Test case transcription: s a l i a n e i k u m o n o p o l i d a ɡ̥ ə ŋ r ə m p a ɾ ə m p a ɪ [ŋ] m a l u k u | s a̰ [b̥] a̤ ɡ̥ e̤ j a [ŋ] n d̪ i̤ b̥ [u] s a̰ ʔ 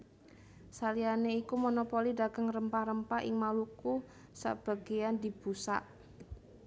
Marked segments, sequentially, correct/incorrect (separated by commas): correct, correct, incorrect, correct